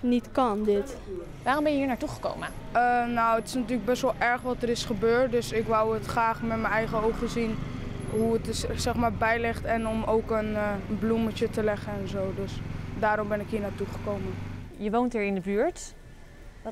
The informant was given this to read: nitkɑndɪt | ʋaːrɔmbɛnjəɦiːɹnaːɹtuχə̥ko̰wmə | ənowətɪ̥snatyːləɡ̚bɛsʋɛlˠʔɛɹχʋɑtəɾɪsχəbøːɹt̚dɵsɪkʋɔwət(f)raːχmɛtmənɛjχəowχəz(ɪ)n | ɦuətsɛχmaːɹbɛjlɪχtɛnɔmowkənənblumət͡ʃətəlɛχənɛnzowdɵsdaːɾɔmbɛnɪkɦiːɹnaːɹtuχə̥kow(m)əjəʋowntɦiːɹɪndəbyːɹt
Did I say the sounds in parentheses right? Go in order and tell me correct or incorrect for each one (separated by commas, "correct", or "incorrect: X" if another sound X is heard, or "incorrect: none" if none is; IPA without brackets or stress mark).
incorrect: χ, incorrect: i, correct